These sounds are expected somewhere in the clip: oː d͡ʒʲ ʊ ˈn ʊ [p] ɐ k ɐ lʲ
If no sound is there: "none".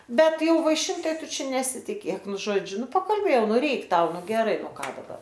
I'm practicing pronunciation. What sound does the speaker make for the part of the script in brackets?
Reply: p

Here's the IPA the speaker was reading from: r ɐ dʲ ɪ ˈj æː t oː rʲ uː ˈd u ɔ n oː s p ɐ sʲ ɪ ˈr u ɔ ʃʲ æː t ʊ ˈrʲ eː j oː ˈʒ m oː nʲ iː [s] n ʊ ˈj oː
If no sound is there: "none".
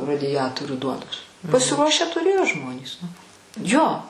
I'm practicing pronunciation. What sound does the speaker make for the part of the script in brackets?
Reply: s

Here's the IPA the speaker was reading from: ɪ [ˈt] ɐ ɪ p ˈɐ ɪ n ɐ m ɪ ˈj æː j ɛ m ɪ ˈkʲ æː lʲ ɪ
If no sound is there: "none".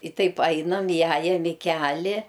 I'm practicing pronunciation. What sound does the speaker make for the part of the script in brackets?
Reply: t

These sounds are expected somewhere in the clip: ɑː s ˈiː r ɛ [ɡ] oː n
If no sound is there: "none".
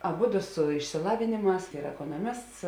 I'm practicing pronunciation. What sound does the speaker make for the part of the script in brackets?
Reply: k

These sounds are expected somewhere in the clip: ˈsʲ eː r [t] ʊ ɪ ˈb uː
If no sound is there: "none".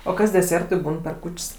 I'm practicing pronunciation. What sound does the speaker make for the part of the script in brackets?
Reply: t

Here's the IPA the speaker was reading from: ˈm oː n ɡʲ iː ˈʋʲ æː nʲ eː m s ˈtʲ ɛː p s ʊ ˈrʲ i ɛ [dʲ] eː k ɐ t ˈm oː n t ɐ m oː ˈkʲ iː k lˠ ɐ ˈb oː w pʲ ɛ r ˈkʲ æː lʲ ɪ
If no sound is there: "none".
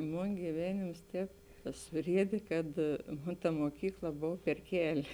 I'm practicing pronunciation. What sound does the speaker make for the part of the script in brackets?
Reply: dʲ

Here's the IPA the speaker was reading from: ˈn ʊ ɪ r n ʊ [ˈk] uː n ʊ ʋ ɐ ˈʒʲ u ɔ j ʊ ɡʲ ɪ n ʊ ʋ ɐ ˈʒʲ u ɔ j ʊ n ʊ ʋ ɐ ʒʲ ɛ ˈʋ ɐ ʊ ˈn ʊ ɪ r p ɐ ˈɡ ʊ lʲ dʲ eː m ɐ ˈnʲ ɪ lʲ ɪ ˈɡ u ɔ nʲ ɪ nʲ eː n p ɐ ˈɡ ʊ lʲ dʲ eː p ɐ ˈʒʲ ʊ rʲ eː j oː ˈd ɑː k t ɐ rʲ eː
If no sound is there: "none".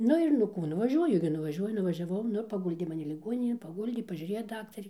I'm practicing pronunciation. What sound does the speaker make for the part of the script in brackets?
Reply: k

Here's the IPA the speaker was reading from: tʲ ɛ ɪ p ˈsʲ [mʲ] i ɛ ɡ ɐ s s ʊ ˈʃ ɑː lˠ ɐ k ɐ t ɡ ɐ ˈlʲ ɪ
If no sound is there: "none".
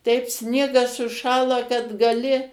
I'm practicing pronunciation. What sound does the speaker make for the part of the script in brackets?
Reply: nʲ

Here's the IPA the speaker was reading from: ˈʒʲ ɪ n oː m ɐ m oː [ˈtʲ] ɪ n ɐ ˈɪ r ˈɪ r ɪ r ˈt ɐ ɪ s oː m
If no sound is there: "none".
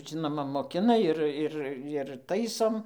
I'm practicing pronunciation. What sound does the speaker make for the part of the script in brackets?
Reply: kʲ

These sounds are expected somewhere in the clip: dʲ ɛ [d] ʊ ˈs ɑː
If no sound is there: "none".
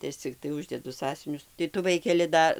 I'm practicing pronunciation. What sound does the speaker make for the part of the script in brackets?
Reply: d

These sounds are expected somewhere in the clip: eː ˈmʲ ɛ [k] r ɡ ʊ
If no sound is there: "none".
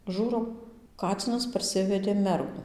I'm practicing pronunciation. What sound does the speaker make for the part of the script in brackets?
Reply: none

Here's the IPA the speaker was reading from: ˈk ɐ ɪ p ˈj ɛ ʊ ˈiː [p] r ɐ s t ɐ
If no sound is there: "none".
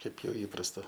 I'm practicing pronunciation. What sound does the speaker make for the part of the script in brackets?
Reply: p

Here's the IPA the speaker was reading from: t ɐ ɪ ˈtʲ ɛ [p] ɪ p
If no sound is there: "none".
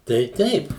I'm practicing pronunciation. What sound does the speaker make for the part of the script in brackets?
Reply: none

